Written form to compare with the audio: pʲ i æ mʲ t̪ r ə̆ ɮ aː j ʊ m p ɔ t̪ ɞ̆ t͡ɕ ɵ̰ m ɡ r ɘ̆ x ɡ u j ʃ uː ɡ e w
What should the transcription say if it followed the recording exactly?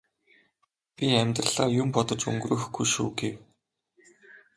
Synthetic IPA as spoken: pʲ i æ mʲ t̪ r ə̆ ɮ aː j ʊ m p ɔ t̪ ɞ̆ t͡ɕ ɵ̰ ŋ ɡ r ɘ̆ x ɡ u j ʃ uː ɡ e w